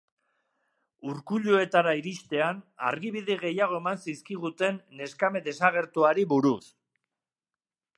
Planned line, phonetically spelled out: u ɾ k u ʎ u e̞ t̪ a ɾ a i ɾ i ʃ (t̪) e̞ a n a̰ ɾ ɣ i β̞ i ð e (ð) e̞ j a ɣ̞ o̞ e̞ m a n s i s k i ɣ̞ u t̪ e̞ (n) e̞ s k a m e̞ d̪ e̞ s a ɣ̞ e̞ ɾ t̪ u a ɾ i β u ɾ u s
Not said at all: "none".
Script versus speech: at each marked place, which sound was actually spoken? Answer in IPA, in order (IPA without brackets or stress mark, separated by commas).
t̪, ɣ, nː